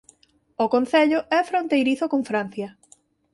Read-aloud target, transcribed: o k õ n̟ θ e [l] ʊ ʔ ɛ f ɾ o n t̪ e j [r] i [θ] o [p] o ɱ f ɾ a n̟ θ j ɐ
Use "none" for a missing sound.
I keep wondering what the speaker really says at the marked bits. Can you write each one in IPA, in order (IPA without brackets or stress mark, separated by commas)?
ʎ, ɾ, θ, k